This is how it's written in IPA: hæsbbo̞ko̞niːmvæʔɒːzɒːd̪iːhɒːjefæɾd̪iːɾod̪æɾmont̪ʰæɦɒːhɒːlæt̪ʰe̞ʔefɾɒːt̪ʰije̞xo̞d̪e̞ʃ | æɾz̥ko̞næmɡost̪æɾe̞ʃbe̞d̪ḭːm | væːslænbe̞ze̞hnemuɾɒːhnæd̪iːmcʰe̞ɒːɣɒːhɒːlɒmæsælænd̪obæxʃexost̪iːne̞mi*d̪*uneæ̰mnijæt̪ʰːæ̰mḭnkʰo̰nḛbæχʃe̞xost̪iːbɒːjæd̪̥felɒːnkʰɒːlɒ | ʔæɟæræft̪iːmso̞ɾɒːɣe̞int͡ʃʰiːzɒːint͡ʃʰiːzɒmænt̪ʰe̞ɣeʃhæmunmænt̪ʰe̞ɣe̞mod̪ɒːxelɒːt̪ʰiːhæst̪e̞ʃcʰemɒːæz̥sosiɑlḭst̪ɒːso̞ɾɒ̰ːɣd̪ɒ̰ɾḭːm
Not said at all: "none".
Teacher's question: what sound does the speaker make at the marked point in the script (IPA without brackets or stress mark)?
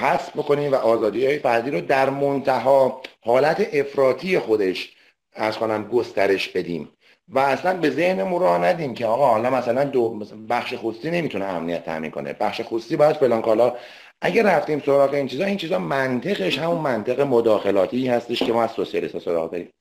t̪